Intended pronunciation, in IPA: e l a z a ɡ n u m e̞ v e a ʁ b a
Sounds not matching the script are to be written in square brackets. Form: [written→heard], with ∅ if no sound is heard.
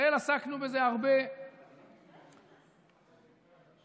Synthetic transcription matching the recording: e l a [z→s] a [ɡ→k] n u [m→b] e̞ [v→z] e a ʁ b [a→e]